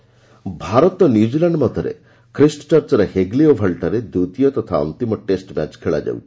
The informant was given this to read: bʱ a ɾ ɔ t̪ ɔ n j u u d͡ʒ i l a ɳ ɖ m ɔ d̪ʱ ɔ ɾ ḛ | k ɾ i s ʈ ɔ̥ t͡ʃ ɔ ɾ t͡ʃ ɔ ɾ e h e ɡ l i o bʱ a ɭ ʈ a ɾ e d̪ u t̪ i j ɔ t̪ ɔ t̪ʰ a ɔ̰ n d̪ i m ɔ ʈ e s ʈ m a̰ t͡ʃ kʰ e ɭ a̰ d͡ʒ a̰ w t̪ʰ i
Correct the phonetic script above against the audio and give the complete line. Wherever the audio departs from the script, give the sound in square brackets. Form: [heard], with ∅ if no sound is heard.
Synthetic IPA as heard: bʱ a ɾ ɔ t̪ ɔ n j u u d͡ʒ i l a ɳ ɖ m ɔ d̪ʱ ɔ ɾ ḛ | k ɾ i s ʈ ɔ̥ t͡ʃ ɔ ɾ t͡ʃ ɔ ɾ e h e ɡ l i o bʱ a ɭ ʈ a ɾ e d̪ u t̪ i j ɔ t̪ ɔ t̪ʰ a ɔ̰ n [t̪] i m ɔ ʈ e s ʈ m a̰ t͡ʃ kʰ e ɭ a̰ d͡ʒ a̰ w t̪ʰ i